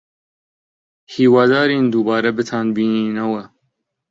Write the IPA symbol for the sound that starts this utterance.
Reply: h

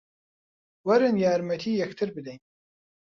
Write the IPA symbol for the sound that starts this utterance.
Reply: w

